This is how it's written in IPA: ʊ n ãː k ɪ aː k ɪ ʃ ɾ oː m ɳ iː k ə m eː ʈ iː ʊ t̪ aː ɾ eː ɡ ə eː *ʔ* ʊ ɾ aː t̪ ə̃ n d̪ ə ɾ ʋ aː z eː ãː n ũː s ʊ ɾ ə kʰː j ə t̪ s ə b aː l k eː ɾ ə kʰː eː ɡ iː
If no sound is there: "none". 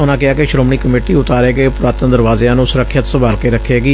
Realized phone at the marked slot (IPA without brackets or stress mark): p